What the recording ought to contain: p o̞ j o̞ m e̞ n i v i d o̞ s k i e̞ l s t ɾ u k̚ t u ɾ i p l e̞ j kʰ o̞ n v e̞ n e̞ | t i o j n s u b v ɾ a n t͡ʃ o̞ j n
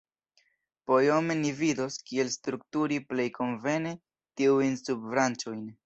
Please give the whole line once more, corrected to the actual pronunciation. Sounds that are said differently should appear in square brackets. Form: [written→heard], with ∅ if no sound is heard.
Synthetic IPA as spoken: p o̞ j o̞ m e̞ n i v i d o̞ s k i e̞ l s t ɾ u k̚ t u ɾ i p l e̞ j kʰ o̞ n v e̞ n e̞ | t i [o→u] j n s u b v ɾ a n t͡ʃ o̞ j n